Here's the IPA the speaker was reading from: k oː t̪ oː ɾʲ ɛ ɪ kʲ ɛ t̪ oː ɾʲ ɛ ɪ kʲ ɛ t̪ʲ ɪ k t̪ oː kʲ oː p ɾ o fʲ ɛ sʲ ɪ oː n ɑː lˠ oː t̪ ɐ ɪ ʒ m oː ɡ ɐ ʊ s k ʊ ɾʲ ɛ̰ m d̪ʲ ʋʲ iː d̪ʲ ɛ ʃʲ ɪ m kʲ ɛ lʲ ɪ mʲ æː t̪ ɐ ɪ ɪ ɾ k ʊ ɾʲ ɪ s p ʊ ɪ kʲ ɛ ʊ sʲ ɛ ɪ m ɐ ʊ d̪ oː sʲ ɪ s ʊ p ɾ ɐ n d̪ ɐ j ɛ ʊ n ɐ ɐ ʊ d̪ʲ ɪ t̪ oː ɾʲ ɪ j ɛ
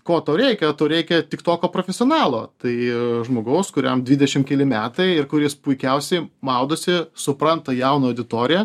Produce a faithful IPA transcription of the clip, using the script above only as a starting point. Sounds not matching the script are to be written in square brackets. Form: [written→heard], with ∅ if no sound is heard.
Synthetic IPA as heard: k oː t̪ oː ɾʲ ɛ ɪ kʲ ɛ t̪ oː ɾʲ ɛ ɪ kʲ ɛ t̪ʲ ɪ k t̪ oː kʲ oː p ɾ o fʲ ɛ sʲ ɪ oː n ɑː lˠ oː t̪ ɐ ɪ ʒ m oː ɡ ɐ ʊ s k ʊ ɾʲ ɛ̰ m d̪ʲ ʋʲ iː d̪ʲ ɛ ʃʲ ɪ m kʲ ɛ lʲ ɪ mʲ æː t̪ ɐ ɪ ɪ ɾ k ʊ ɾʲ ɪ s p ʊ ɪ kʲ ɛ ʊ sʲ ɛ ɪ m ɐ ʊ d̪ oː sʲ ɪ s ʊ p ɾ ɐ n [d̪→t̪] ɐ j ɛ ʊ n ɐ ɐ ʊ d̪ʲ ɪ t̪ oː ɾʲ ɪ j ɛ